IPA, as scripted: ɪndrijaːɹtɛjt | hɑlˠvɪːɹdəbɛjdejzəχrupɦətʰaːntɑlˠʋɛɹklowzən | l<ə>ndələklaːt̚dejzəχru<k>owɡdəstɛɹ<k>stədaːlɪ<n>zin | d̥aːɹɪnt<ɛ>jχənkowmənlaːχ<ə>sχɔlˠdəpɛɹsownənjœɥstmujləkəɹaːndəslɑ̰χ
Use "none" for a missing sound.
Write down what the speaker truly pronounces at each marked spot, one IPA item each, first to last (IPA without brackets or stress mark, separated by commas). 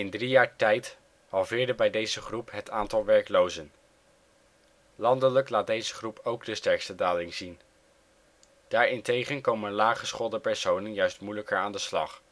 ɑ, p, k, ŋ, e, ə